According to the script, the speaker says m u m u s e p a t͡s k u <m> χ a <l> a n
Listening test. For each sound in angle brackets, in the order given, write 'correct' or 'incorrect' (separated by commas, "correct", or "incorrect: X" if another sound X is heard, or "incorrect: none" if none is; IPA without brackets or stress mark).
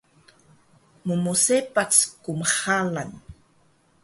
correct, correct